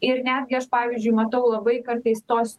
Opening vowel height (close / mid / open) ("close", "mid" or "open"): close